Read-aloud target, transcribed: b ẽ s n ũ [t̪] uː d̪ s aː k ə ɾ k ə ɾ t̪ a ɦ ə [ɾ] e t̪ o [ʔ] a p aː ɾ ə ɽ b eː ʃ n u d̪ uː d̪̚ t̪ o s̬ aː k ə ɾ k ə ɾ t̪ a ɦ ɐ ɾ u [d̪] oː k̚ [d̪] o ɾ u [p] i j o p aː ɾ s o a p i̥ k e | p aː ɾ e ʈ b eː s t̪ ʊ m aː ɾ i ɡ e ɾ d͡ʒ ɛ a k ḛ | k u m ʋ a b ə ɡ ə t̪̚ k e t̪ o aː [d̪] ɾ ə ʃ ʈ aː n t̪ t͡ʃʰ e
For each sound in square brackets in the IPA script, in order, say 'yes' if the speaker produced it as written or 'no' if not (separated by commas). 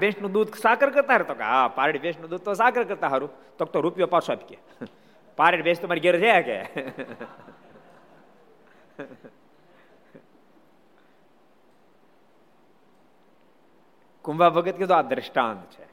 no, yes, no, no, no, yes, yes